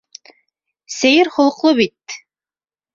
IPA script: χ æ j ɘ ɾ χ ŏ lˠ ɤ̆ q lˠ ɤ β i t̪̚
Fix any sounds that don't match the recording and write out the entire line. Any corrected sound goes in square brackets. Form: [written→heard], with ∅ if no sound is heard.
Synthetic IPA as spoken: [χ→s] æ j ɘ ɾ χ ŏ lˠ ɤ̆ q lˠ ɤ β i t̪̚